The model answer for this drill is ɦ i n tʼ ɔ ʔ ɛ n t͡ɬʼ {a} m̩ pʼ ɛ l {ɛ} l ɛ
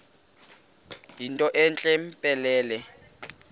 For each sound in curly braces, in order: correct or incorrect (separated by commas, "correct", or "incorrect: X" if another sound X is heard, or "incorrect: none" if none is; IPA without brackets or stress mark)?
incorrect: ɛ, incorrect: ɛː